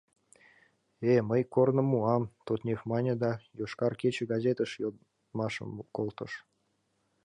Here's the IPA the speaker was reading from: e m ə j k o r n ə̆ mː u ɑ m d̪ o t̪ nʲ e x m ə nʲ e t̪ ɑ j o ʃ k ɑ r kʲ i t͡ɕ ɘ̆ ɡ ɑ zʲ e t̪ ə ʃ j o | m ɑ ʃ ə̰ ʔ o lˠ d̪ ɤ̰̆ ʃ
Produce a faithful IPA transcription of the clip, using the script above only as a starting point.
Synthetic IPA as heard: e m ə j k o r n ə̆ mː u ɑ m t̪ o t̪ nʲ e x m ɑ nʲ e d̪ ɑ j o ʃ k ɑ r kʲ e t͡ɕ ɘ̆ ɡ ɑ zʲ e t̪ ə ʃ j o | m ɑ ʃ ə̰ k o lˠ t̪ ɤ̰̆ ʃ